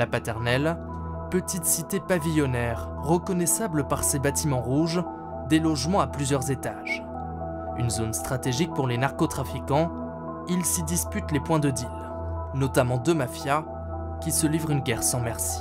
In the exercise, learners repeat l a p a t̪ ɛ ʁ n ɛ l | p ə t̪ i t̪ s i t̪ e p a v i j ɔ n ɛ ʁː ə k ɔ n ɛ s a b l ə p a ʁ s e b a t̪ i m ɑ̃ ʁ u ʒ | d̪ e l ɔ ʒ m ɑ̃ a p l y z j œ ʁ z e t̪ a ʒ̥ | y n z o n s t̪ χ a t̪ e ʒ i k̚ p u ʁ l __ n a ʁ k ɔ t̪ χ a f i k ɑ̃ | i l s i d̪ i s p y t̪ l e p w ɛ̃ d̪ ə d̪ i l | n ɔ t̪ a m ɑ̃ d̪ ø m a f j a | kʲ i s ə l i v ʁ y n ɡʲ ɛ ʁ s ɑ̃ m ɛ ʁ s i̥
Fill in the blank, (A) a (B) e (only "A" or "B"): B